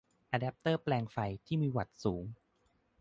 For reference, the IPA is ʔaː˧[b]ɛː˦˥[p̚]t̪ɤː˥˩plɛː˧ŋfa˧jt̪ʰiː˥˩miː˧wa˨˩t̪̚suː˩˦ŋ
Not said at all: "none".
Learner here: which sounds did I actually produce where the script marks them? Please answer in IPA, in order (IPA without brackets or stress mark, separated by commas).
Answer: d, p̚